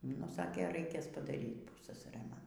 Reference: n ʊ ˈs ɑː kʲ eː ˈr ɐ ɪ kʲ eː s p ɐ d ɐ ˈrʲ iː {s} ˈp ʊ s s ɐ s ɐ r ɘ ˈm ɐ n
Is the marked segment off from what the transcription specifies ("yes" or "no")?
yes